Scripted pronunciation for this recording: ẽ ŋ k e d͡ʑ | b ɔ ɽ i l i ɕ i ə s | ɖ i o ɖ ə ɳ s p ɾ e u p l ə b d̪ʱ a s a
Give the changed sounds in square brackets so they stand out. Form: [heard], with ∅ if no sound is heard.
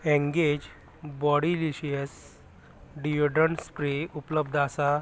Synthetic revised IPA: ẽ ŋ [ɡ] e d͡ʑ | b ɔ ɽ i l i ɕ i ə s | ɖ i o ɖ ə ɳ s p ɾ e u p l ə b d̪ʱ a s a